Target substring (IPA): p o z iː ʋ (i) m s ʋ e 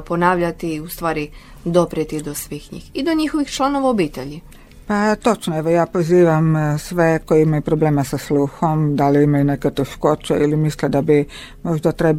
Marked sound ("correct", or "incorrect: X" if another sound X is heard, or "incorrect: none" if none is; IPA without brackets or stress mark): incorrect: a